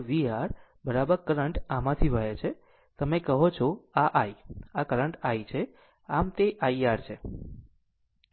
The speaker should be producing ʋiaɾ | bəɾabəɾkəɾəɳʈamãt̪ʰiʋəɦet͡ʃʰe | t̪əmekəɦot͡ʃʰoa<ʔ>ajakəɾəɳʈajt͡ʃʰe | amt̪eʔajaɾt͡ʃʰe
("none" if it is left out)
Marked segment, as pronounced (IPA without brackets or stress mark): ʔ